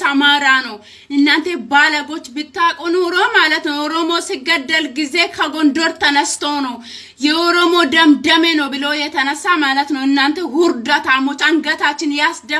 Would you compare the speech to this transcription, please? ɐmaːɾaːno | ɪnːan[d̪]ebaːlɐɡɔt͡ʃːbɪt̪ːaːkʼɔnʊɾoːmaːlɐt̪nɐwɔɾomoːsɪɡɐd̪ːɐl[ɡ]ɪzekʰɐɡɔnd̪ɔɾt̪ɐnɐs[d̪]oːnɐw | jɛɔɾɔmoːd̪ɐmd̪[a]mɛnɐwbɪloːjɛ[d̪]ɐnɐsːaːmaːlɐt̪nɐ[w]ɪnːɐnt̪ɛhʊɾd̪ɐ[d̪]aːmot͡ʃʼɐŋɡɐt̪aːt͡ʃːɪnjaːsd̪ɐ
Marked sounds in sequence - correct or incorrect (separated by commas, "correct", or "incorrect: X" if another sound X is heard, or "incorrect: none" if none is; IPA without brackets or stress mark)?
incorrect: t̪, correct, incorrect: t̪, incorrect: ɐ, incorrect: t̪, correct, incorrect: t̪